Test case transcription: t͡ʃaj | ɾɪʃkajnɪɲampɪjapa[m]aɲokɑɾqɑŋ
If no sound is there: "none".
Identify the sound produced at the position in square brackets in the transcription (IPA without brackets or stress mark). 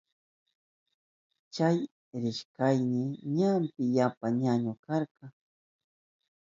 ɲ